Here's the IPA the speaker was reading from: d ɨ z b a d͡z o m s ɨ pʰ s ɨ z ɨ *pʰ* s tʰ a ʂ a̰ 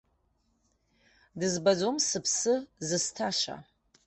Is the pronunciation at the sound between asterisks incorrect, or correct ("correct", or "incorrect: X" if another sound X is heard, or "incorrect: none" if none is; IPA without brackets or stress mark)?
incorrect: none